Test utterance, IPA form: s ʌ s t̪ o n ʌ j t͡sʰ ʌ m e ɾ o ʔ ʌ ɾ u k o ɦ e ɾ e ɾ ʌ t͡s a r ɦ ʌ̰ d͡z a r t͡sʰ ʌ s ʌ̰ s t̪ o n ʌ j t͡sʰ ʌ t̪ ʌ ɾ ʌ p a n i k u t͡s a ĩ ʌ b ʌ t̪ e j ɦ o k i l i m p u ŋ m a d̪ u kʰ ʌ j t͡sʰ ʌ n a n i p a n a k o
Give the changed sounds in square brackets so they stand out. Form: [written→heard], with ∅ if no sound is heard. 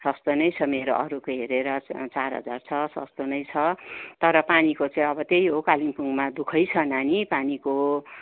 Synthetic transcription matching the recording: s ʌ s t̪ o n ʌ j t͡sʰ ʌ m e ɾ o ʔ ʌ ɾ u k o ɦ e ɾ e ɾ ʌ t͡s a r ɦ ʌ̰ d͡z a r t͡sʰ ʌ s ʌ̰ s t̪ o n ʌ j t͡sʰ ʌ t̪ ʌ ɾ ʌ p a n i k [u→o] t͡s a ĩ ʌ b ʌ t̪ e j ɦ o k [i→a] l i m p u ŋ m a d̪ u kʰ ʌ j t͡sʰ ʌ n a n i p a n [a→i] k o